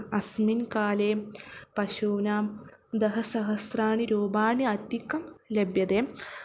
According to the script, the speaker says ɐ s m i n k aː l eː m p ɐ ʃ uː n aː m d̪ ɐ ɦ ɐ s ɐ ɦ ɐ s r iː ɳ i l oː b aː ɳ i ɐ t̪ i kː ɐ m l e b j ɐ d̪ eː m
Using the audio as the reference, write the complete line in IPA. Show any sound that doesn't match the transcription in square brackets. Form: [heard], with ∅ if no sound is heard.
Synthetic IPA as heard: ɐ s m i n k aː l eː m p ɐ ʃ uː n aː m d̪ ɐ ɦ ɐ s ɐ ɦ ɐ s r [aː] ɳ i [ɾ] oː b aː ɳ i ɐ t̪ i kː ɐ m l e b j ɐ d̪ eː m